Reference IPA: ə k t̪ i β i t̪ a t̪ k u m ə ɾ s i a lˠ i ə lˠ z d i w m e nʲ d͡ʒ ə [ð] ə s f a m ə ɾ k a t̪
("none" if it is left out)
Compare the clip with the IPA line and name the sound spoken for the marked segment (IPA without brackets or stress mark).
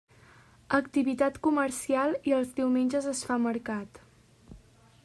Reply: z